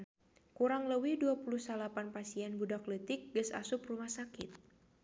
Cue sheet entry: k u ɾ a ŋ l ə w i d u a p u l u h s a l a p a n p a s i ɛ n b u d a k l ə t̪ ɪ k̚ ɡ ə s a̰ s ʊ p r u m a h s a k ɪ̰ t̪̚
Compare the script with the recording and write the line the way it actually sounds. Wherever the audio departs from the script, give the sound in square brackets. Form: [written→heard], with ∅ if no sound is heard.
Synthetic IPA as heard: k u ɾ a ŋ l ə w i d u a p u l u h s a l a p a n p a s i ɛ n b u d a k l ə t̪ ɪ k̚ ɡ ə s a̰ s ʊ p r u m a h s a k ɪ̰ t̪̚